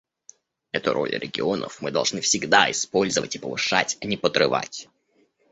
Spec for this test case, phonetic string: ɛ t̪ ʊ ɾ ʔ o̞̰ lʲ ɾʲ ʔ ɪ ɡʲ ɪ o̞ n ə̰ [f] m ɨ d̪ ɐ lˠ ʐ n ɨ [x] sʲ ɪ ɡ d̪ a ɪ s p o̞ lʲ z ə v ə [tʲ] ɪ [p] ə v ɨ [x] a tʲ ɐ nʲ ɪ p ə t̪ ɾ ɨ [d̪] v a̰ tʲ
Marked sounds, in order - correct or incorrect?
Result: correct, incorrect: f, correct, correct, incorrect: ʂ, incorrect: none

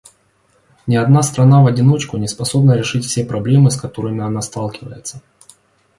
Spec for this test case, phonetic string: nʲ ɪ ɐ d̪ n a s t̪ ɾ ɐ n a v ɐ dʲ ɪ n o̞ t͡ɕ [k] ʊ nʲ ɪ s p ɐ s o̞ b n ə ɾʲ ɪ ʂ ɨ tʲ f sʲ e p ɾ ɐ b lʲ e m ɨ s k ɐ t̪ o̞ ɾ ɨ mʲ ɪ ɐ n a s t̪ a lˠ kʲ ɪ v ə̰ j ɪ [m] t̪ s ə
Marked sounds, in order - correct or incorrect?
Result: correct, incorrect: none

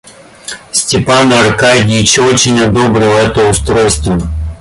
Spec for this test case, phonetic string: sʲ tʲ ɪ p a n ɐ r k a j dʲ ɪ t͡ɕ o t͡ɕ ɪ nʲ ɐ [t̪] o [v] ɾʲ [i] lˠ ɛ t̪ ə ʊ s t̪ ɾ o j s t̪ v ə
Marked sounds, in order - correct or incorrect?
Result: incorrect: d̪, incorrect: b, incorrect: ɪ

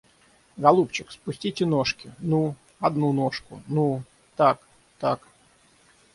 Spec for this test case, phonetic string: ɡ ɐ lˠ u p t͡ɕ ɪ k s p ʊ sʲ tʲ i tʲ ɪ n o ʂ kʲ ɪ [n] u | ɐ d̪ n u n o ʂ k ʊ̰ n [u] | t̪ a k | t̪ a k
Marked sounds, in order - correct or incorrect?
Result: correct, correct

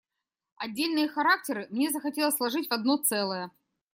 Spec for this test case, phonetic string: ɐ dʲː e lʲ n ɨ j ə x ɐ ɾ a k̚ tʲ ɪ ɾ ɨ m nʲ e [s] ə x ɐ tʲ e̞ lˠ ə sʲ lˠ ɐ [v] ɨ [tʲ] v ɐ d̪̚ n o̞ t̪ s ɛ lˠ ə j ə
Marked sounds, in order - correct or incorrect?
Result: incorrect: z, incorrect: ʐ, correct

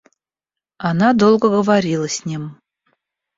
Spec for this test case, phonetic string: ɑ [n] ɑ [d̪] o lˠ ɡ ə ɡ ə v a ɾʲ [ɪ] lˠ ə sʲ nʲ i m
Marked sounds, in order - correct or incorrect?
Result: correct, correct, incorrect: i

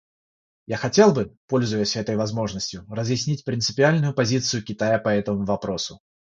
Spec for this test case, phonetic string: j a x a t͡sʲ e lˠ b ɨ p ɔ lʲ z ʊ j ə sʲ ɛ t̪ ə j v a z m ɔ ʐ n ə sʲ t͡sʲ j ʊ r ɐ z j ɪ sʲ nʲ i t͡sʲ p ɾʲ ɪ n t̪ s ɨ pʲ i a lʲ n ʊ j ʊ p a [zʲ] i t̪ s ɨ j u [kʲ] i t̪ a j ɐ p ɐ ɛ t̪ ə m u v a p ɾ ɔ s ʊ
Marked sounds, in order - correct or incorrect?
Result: correct, correct

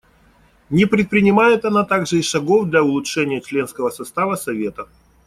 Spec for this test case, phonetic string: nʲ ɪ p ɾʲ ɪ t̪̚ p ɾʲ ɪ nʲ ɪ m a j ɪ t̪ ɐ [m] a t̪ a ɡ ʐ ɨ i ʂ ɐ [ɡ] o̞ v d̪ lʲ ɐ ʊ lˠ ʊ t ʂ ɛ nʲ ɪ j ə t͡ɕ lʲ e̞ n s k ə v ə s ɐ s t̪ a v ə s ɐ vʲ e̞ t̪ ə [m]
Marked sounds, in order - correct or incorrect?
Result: incorrect: n, correct, incorrect: none

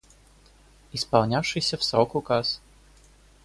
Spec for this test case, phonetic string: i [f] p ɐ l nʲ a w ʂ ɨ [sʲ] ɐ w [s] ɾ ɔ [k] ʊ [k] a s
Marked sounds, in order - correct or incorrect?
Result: incorrect: s, correct, correct, correct, correct

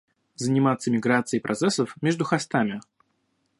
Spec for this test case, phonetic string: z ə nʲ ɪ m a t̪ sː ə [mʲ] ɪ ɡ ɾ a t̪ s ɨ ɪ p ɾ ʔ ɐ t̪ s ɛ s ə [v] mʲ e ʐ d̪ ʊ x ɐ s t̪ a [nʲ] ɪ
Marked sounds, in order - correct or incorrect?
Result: correct, incorrect: f, incorrect: mʲ

